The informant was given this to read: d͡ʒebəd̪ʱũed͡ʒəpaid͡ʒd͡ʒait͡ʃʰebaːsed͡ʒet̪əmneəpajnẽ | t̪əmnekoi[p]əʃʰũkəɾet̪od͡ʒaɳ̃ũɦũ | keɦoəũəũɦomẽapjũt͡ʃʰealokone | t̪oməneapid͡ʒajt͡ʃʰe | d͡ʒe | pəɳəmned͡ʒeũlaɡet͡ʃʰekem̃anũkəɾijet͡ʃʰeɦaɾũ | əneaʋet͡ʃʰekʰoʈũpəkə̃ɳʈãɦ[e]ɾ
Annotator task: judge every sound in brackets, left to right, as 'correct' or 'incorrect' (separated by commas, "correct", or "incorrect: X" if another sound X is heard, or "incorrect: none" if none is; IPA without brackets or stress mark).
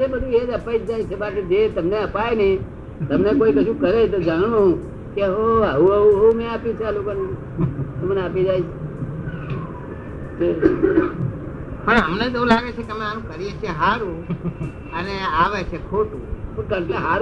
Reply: incorrect: k, incorrect: a